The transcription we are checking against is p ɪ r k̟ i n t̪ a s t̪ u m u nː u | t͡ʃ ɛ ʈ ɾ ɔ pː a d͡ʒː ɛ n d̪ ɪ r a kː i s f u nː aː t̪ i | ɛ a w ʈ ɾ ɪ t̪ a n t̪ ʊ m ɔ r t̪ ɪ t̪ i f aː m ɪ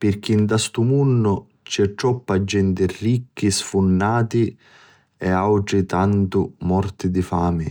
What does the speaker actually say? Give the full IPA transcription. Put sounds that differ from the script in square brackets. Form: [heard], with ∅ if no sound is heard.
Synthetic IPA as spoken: p ɪ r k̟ i n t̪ a s t̪ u m u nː [ʊ] | t͡ʃ ɛ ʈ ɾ ɔ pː a d͡ʒː ɛ n [t̪] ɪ r [i] kː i s f u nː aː t̪ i | ɛ a w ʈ ɾ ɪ t̪ a n t̪ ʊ m ɔ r t̪ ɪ [d̪] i f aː m ɪ